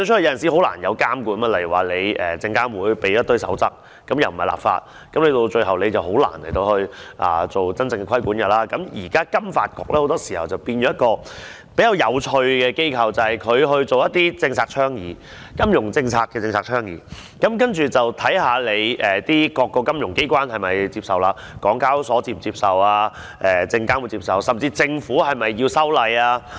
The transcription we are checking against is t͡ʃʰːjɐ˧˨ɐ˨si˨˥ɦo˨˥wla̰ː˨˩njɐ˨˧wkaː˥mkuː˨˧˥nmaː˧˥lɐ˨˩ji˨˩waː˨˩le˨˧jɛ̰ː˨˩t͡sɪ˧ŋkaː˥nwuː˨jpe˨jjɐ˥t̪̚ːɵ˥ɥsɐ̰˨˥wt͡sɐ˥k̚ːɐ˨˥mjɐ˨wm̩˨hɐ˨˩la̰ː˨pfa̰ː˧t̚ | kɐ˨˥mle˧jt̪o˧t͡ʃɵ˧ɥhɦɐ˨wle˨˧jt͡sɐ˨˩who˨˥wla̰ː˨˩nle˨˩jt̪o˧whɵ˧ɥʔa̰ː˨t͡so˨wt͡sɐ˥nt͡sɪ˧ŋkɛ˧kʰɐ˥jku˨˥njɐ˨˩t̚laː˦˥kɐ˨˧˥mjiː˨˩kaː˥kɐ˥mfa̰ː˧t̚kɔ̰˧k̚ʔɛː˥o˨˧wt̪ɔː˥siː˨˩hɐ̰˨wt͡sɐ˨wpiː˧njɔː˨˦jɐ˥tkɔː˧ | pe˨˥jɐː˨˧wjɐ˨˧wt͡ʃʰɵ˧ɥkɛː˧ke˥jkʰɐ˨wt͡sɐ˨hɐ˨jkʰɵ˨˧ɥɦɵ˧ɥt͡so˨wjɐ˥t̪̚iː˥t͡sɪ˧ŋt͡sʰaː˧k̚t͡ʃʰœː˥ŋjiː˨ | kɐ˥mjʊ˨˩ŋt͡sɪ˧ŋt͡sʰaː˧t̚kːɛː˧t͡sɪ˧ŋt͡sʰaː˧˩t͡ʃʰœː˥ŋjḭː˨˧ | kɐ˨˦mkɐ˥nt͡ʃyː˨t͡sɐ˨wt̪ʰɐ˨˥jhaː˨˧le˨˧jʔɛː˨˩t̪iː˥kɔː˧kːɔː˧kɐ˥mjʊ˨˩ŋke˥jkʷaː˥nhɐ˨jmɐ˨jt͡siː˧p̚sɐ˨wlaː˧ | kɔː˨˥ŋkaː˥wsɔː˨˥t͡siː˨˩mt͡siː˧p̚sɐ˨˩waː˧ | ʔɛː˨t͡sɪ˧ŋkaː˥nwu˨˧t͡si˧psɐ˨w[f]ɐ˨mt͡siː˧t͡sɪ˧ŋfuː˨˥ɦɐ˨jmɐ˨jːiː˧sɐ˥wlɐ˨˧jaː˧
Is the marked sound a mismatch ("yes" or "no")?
yes